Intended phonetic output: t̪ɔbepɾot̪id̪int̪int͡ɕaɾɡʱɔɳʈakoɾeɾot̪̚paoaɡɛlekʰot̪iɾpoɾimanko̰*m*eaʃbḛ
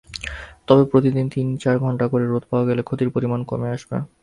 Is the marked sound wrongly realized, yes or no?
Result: no